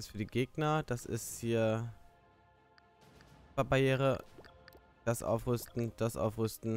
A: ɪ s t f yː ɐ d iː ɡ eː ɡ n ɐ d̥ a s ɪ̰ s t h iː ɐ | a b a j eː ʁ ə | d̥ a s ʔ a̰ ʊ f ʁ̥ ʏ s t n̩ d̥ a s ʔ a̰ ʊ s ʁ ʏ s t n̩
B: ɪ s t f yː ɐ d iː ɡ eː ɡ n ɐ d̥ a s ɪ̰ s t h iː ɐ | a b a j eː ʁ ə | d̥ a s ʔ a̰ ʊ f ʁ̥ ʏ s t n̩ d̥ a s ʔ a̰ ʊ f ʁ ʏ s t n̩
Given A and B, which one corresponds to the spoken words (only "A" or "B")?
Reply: B